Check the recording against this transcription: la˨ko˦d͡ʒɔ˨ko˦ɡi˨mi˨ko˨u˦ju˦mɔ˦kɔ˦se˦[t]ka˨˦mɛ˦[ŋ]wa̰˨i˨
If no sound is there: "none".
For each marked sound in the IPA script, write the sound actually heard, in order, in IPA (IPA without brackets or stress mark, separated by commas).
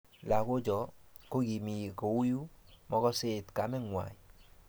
t, ŋ